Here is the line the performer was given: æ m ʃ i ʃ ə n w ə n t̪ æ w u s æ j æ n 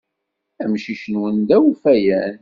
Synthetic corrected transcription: æ m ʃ i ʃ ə n w ə n d̪ æ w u f æ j æ n